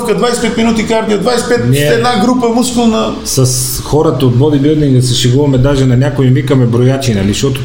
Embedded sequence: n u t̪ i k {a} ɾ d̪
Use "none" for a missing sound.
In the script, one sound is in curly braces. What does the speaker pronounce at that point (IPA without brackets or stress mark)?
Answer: a